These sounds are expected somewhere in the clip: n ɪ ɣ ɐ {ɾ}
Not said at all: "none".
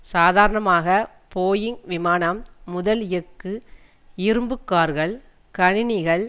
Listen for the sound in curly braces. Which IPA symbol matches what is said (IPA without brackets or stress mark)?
ɭ